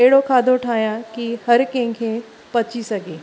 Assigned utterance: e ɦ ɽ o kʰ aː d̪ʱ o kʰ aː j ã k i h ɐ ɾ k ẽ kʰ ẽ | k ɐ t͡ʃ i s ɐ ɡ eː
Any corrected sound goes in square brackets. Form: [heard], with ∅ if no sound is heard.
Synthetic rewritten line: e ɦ ɽ o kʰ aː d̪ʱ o [ʈʰ] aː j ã k i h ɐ ɾ k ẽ kʰ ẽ | [p] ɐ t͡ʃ i s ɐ ɡ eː